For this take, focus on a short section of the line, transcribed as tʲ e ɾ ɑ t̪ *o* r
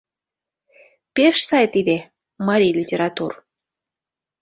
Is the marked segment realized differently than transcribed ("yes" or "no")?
yes